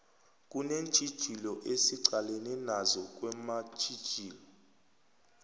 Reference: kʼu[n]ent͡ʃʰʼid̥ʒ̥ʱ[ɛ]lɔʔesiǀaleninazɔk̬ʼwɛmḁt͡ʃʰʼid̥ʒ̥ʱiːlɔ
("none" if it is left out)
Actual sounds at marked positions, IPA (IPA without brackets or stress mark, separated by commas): n, i